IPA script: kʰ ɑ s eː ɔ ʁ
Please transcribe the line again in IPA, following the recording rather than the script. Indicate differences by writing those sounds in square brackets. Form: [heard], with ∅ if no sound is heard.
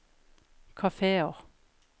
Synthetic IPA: kʰ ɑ [f] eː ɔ ʁ